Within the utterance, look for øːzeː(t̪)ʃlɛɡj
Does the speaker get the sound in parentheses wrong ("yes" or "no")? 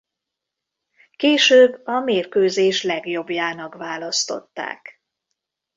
yes